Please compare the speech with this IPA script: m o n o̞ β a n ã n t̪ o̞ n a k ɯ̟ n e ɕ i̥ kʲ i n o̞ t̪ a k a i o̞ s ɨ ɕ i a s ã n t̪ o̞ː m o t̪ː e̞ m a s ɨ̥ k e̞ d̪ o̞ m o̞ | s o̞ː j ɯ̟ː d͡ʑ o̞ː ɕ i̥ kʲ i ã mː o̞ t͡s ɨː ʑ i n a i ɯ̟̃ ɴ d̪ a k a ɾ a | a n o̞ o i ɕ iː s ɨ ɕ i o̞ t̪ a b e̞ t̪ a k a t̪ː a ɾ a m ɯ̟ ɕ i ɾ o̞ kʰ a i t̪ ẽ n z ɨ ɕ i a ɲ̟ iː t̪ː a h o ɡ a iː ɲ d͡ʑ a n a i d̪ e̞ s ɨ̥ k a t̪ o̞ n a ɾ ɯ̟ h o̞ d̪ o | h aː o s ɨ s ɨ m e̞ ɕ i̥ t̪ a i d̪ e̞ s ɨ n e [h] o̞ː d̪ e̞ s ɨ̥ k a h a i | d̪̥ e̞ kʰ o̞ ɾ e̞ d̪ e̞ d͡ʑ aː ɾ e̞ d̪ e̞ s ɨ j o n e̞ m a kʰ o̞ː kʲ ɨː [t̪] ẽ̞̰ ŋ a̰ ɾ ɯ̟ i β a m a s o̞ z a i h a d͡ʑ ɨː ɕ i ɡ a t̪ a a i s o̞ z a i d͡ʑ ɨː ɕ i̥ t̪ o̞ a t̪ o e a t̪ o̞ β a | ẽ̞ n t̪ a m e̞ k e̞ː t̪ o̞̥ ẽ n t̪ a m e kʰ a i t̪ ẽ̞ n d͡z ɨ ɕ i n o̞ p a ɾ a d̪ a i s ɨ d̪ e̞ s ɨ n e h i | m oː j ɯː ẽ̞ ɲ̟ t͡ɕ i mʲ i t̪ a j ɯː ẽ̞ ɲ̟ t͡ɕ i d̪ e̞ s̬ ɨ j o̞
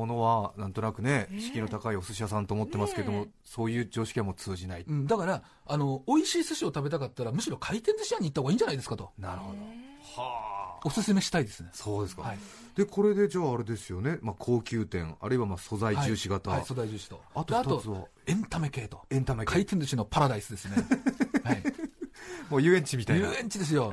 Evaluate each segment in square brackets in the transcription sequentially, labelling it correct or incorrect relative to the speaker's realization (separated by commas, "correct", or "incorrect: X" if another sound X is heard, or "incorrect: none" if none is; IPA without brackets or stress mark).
incorrect: s, correct